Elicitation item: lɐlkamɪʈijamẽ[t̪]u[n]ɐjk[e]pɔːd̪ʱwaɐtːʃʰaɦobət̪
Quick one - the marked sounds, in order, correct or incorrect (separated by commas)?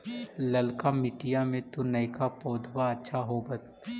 correct, correct, incorrect